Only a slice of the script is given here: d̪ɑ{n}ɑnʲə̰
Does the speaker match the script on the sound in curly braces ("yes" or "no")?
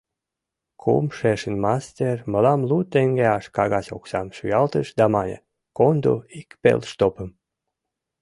no